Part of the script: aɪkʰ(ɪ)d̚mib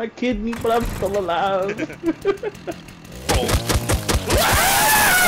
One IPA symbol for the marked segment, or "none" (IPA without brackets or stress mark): ɪ